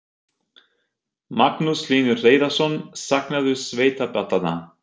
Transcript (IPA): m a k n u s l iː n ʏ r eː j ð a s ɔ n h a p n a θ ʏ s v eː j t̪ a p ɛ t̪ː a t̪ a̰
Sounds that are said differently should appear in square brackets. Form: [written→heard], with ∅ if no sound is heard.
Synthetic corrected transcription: m a k n u s l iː n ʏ r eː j ð a s ɔ n [h→s] a [p→k] n a [θ→ð] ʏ s v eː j t̪ a p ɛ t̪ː a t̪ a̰

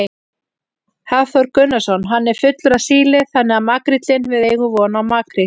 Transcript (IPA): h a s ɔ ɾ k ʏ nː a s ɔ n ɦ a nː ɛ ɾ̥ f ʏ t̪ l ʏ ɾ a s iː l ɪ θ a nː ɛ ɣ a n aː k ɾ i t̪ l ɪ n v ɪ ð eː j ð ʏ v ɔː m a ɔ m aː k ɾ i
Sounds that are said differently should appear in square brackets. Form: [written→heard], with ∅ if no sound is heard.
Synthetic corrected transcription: h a [s→θ] ɔ ɾ k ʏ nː a s ɔ n ɦ a nː ɛ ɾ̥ f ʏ t̪ l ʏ ɾ a s iː l ɪ θ a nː ɛ ɣ a [n→m] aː k ɾ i t̪ l ɪ n v ɪ ð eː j [ð→ɣ] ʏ v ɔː [m→n] a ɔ m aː k ɾ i

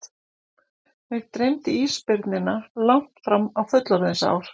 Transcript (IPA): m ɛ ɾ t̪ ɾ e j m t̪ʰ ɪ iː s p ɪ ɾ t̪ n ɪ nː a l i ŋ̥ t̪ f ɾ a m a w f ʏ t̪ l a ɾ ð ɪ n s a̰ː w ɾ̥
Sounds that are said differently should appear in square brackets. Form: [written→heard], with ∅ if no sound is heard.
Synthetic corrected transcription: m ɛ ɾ t̪ ɾ e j m [t̪ʰ→t̪] ɪ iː s p ɪ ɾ t̪ n ɪ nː a l [i→a] ŋ̥ t̪ f ɾ a m a w f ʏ t̪ l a ɾ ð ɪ n s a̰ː w ɾ̥

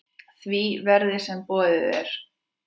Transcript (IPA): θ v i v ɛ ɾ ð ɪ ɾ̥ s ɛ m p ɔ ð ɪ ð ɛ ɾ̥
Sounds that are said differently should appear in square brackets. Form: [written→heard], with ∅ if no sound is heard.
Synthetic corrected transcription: θ v i v ɛ ɾ ð ɪ [ɾ̥→∅] s ɛ m p [ɔ→ɔː] ð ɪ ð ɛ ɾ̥

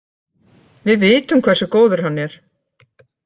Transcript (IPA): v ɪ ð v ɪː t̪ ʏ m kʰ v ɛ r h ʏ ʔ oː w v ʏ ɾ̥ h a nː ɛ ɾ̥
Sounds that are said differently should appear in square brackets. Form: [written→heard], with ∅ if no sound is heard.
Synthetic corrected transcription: v ɪ ð v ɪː t̪ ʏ m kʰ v ɛ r [h→s] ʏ [ʔ→k] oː w [v→ð] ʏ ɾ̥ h a nː ɛ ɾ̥

